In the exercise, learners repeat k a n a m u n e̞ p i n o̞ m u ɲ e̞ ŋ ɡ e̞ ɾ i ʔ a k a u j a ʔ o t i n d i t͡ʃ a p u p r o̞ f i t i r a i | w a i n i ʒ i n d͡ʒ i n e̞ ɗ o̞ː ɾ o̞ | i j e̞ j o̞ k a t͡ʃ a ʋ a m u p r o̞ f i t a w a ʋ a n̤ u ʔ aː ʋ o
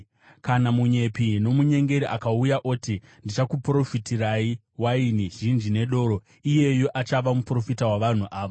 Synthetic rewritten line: k a n a m u ɲ e̞ p i n o̞ m u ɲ e̞ ŋ ɡ e̞ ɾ i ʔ a k a u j a ʔ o t i n d i t͡ʃ a k u p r o̞ f i t i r a i | w a i n i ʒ i n d͡ʒ i n e̞ ɗ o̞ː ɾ o̞ | i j e̞ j o̞ ʔ a t͡ʃ a ʋ a m u p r o̞ f i t a w a ʋ a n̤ u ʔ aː ʋ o